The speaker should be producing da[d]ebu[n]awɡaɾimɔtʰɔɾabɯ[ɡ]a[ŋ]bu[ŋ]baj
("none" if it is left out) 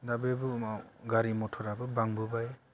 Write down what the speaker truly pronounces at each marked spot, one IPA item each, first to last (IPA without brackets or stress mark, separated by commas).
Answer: b, m, b, ŋ, none